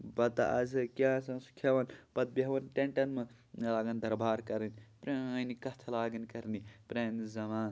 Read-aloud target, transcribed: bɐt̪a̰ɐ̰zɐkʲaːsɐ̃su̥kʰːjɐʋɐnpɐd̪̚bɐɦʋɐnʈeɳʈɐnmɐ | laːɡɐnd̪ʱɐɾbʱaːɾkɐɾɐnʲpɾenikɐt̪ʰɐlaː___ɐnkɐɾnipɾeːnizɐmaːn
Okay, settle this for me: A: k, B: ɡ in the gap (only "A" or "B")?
B